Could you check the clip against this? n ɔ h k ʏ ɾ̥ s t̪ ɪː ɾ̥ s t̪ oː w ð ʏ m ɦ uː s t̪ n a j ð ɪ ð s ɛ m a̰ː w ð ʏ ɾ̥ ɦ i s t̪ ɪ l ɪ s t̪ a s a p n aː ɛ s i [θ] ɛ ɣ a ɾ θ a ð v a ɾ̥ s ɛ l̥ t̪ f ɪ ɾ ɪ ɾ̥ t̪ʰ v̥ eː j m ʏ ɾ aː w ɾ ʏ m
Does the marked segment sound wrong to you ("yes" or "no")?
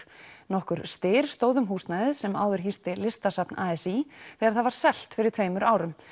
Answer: no